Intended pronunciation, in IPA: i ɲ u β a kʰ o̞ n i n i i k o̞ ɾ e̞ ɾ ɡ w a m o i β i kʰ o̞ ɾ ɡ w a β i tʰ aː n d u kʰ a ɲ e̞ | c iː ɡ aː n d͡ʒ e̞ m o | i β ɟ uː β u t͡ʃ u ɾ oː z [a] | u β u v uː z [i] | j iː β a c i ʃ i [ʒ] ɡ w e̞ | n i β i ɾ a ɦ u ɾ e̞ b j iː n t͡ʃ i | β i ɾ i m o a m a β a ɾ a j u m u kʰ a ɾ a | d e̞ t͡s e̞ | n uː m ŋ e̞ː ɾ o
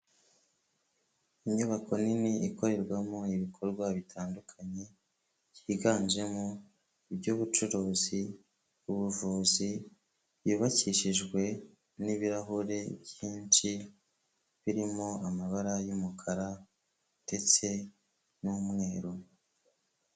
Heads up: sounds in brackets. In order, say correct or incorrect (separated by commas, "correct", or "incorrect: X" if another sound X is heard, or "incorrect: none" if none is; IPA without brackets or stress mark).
incorrect: i, correct, correct